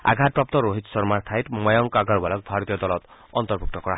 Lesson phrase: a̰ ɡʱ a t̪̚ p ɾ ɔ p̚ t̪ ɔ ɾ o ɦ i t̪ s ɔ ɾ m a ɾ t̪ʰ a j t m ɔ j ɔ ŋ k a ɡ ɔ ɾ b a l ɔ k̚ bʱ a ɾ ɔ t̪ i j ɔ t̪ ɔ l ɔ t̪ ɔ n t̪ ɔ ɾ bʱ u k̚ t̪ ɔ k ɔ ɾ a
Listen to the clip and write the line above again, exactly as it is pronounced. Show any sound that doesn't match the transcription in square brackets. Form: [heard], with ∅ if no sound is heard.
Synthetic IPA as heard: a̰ ɡʱ a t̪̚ p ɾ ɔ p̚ t̪ ɔ ɾ o ɦ i t̪ s ɔ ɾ m a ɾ t̪ʰ a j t m ɔ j ɔ ŋ k a ɡ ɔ ɾ b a l ɔ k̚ bʱ a ɾ ɔ t̪ i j ɔ [d̪] ɔ l ɔ t̪ ɔ n t̪ ɔ ɾ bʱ u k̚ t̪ ɔ k ɔ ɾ a

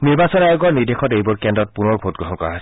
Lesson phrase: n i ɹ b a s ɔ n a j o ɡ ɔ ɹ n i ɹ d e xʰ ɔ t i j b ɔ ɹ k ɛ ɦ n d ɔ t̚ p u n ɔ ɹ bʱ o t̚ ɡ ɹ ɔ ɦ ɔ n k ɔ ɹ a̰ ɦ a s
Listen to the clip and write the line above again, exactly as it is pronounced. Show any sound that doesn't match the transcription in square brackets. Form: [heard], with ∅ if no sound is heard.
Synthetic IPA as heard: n i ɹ b a s ɔ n a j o ɡ ɔ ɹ n i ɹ d e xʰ ɔ t [e] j b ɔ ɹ k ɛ [∅] n d ɔ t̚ p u n ɔ ɹ bʱ o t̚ ɡ ɹ ɔ ɦ ɔ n k ɔ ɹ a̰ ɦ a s

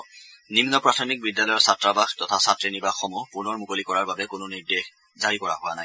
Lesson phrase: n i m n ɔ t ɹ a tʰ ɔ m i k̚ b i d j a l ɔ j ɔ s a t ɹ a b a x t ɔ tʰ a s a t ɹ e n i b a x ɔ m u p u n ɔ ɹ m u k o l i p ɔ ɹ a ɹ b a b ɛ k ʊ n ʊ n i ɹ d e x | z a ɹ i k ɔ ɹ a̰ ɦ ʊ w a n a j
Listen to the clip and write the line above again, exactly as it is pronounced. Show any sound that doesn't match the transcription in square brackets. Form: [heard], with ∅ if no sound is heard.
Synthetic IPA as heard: n i m n ɔ [p] ɹ a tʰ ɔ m i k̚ b i d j a l ɔ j ɔ s a t ɹ a b a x t ɔ tʰ a s a t ɹ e n i b a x ɔ m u p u n ɔ ɹ m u k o l i [k] ɔ ɹ a ɹ b a b ɛ k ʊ n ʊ n i ɹ d e x | z a ɹ i k ɔ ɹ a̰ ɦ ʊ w a n a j

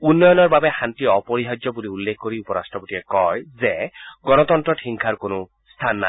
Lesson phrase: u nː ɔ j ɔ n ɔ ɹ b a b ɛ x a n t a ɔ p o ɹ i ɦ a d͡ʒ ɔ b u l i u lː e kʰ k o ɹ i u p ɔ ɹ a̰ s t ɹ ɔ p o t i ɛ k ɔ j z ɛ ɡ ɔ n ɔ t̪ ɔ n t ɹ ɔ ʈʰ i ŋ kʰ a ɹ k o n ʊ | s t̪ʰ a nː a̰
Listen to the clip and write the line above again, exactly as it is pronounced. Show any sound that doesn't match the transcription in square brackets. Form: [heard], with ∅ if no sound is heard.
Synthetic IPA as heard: u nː ɔ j ɔ n ɔ ɹ b a b ɛ x a n t [i] ɔ p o ɹ i ɦ a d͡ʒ ɔ b u l i u lː e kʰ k o ɹ i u p ɔ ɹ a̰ s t ɹ ɔ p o t i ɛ k ɔ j z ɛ ɡ ɔ n ɔ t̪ ɔ n t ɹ ɔ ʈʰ i ŋ kʰ a ɹ k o n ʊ | s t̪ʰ a nː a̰

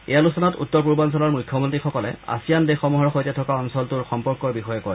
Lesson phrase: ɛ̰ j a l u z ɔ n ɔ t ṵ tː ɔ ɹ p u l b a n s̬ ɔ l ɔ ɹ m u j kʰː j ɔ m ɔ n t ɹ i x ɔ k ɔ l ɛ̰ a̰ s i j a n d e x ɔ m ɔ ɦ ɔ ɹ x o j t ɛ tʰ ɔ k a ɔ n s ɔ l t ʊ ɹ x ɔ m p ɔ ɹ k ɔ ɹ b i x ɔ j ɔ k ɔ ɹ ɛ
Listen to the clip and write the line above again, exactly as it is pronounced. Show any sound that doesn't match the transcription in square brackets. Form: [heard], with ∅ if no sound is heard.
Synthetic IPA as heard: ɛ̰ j a l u [s] ɔ n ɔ t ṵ tː ɔ ɹ p u [ɹ] b a n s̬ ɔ l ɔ ɹ m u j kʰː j ɔ m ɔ n t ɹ i x ɔ k ɔ l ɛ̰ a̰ s i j a n d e x ɔ m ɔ ɦ ɔ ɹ x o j t ɛ tʰ ɔ k a ɔ n s ɔ l t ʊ ɹ x ɔ m p ɔ ɹ k ɔ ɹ b i x ɔ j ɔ k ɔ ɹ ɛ

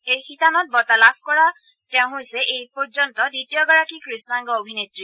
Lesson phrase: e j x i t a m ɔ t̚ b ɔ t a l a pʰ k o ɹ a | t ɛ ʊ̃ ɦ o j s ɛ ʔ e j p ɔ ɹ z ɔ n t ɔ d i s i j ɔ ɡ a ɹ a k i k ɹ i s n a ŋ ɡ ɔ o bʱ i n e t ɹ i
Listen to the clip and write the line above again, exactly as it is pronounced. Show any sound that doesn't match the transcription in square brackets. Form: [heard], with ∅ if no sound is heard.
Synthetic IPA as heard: e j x i t a [n] ɔ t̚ b ɔ t a l a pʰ k [ɔ] ɹ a | t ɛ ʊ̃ ɦ o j s ɛ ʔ e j p ɔ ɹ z ɔ n t ɔ d i [t] i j ɔ ɡ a ɹ a k i k ɹ i s n a ŋ ɡ ɔ o bʱ i n e t ɹ i

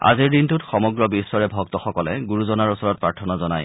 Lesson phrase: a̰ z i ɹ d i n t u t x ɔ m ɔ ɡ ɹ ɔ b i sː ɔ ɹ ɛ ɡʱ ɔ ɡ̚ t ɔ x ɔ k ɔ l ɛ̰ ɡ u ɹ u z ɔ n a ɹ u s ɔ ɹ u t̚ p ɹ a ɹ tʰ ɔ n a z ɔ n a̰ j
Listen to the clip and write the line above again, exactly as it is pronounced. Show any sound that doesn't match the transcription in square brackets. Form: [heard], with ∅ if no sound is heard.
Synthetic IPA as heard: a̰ z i ɹ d i n t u t x ɔ m ɔ ɡ ɹ ɔ b i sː ɔ ɹ ɛ [bʱ] ɔ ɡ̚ t ɔ x ɔ k ɔ l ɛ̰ ɡ u ɹ u z ɔ n a ɹ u s ɔ ɹ [ɔ] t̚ p ɹ a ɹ tʰ ɔ n a z ɔ n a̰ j

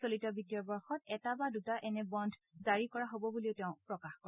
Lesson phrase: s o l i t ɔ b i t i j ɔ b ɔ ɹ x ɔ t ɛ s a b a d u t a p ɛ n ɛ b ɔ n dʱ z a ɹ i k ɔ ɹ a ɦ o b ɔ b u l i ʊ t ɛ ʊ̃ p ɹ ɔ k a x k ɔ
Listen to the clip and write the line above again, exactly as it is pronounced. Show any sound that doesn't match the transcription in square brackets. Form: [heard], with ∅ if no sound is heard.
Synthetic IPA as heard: s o l i t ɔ b i t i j ɔ b ɔ ɹ x ɔ t ɛ [t] a b a d u t a [ʔ] ɛ n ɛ b ɔ n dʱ z a ɹ i k ɔ ɹ a ɦ o b ɔ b u l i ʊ t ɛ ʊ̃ p ɹ ɔ k a x k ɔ

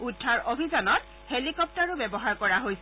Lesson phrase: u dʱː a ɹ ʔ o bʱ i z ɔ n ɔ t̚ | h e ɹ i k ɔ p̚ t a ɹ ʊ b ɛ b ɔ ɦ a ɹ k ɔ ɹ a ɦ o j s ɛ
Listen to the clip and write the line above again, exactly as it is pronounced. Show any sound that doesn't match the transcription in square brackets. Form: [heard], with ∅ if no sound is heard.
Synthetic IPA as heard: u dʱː a ɹ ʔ o bʱ i z ɔ n ɔ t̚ | h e [l] i k ɔ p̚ t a ɹ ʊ b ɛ b ɔ ɦ a ɹ k ɔ ɹ a ɦ o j s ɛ

